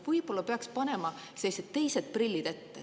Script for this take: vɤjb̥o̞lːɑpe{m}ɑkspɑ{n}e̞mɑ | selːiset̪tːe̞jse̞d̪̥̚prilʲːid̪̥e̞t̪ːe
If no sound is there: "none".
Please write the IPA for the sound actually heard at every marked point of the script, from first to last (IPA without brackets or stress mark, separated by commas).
none, n